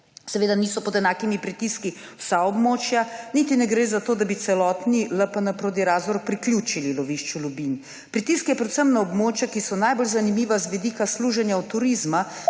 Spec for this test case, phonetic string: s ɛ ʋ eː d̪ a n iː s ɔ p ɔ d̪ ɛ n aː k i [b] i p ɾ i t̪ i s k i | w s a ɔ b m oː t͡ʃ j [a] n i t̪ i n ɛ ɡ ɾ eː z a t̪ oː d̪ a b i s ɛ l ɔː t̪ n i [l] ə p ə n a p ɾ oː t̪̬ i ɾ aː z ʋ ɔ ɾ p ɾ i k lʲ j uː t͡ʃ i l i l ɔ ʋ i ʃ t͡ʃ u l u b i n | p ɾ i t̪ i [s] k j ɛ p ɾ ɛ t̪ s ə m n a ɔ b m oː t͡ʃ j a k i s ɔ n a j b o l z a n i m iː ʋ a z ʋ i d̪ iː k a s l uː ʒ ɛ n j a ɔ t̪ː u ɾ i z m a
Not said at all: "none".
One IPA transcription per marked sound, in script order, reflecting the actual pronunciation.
m, a, l, s

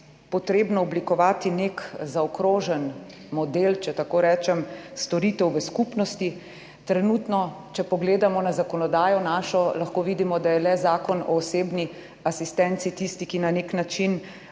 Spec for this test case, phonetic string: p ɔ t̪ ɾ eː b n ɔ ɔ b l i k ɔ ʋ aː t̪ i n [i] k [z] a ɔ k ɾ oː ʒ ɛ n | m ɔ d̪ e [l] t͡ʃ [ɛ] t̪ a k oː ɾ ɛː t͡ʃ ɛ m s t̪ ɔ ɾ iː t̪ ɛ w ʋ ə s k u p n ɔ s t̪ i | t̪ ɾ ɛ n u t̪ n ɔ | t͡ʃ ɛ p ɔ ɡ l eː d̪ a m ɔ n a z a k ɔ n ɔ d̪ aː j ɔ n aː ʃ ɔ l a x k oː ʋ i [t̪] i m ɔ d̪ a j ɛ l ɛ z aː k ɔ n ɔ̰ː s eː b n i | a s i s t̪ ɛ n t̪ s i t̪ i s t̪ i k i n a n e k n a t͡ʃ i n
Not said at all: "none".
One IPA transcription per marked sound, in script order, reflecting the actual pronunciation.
e, z, l, ɛ, d̪

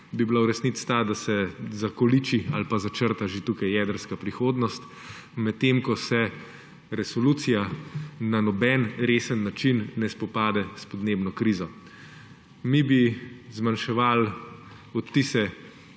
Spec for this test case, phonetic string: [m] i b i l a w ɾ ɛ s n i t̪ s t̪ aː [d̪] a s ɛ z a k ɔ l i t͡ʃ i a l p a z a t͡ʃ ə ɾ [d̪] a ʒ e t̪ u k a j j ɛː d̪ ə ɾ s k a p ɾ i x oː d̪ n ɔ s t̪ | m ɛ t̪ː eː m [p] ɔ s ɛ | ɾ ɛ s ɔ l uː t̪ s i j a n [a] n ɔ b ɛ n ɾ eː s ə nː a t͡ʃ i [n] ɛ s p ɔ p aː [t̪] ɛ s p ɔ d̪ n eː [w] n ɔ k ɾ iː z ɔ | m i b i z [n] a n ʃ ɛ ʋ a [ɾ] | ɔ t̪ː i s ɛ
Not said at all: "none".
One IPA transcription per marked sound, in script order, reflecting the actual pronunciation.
b, d̪, t̪, k, a, nː, d̪, b, m, l

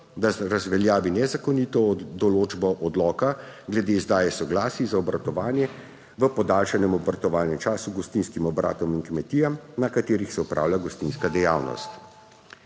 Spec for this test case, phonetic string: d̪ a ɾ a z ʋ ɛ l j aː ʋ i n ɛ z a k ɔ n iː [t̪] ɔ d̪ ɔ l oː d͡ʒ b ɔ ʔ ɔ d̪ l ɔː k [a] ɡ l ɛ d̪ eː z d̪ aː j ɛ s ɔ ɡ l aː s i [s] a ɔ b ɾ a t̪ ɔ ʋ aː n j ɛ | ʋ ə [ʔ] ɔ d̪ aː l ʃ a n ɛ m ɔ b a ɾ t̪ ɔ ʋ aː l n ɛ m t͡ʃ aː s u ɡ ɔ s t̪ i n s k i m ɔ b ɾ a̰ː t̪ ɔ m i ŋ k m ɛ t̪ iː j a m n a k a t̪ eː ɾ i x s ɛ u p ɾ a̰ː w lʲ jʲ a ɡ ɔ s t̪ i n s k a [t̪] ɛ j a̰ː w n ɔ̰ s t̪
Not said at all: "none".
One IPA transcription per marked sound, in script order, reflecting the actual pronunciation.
t̪, a, z, p, d̪

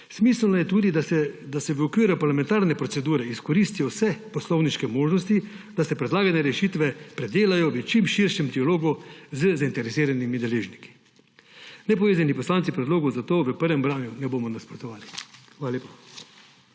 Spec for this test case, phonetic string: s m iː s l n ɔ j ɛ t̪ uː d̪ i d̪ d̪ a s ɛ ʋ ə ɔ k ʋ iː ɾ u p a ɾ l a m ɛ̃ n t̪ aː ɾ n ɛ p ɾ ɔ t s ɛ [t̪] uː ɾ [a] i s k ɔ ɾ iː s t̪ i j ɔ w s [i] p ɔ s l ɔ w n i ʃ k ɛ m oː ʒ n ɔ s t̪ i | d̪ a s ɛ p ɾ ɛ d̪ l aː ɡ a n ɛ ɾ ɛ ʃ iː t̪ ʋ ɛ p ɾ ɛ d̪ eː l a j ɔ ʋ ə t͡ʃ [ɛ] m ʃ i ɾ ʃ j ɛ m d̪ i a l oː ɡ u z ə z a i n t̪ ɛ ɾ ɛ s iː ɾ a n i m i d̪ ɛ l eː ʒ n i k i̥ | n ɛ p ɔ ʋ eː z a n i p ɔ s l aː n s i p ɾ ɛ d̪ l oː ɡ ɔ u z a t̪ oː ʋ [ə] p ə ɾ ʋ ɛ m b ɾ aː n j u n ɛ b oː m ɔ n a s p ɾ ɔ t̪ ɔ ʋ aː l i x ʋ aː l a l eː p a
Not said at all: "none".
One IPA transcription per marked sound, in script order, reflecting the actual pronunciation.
d̪, ɛ, ɛ, i, ə

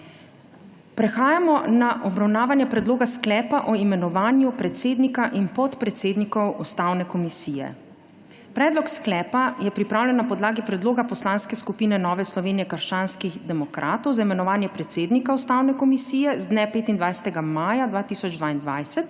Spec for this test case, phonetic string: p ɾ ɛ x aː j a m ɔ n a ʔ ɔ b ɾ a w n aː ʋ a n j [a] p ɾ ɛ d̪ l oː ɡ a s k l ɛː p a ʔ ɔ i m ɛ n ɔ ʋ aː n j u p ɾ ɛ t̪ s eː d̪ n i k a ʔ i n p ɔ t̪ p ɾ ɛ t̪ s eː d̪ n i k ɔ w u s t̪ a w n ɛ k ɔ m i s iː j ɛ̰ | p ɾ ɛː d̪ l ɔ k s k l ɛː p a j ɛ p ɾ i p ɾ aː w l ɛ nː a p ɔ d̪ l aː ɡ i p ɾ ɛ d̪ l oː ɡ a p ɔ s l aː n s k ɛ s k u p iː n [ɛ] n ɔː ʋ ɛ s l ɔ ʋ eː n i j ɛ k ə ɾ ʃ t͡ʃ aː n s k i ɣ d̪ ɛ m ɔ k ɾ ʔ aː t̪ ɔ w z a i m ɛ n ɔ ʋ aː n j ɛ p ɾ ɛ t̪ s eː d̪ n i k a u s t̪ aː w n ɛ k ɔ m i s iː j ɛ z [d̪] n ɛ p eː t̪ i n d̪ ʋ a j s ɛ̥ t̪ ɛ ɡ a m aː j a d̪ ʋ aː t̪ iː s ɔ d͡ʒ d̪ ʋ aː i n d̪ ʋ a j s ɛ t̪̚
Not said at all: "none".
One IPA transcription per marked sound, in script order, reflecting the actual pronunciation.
ɛ, ɛ, d̪

